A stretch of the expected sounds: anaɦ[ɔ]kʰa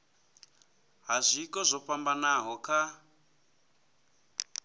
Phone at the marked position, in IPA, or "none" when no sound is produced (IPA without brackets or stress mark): ɔ